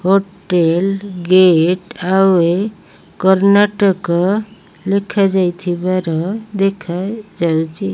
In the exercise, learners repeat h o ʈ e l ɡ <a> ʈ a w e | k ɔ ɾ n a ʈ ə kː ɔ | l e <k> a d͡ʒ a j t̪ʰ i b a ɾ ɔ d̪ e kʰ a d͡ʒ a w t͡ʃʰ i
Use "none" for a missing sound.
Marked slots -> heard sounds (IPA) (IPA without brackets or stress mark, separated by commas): e, kʰ